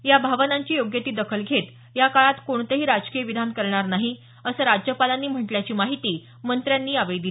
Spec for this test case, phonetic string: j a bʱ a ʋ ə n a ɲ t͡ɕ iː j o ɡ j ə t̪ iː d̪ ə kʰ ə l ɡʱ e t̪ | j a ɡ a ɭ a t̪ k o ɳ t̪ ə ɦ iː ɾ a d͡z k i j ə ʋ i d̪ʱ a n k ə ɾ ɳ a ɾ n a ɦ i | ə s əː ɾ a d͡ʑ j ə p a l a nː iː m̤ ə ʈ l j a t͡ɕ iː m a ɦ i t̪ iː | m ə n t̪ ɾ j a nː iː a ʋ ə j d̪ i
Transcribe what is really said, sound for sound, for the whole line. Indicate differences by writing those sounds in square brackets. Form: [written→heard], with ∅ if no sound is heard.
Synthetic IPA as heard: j a bʱ a ʋ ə n a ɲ t͡ɕ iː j o ɡ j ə t̪ iː d̪ ə kʰ ə l ɡʱ e t̪ | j a [ɡ→k] a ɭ a t̪ k o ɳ t̪ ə ɦ iː ɾ a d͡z k i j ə ʋ i d̪ʱ a n k ə ɾ ɳ a ɾ n a ɦ i | ə s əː ɾ a d͡ʑ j ə p a l a nː iː m̤ ə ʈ l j a t͡ɕ iː m a ɦ i t̪ iː | m ə n t̪ ɾ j a nː iː a ʋ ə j d̪ i

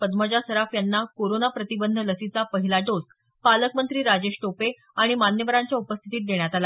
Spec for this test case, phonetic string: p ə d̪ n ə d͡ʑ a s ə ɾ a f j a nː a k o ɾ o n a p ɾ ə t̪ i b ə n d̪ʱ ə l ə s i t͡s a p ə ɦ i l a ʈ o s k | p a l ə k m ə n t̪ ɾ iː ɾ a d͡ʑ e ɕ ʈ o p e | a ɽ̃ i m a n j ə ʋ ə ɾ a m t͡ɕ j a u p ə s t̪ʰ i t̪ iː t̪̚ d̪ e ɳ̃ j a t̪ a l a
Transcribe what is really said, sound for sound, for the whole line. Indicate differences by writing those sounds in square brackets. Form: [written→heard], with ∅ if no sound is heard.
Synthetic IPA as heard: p ə d̪ [n→m] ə d͡ʑ a s ə ɾ a f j a nː a k o ɾ o n a p ɾ ə t̪ i b ə n d̪ʱ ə l ə s i t͡s a p ə ɦ i l a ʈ o s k | p a l ə k m ə n t̪ ɾ iː ɾ a d͡ʑ e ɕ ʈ o p e | a ɽ̃ i m a n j ə ʋ ə ɾ a [m→ɲ] t͡ɕ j a u p ə s t̪ʰ i t̪ iː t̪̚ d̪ e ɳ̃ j a t̪ a l a

